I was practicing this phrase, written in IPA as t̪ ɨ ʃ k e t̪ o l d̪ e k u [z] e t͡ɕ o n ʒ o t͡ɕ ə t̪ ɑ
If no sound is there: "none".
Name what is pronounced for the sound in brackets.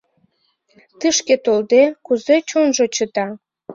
z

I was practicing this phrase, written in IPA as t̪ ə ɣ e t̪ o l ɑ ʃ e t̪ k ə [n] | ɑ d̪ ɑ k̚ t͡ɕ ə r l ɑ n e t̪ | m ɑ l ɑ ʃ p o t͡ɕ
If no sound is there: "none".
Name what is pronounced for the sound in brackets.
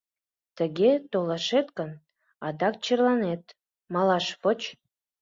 n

